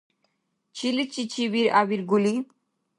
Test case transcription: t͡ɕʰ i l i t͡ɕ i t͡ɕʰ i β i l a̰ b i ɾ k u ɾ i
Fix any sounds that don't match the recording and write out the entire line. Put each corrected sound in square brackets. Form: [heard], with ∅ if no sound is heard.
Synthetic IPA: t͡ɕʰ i l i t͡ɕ i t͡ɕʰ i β i [ɾ] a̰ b i ɾ [ɡ] u [l] i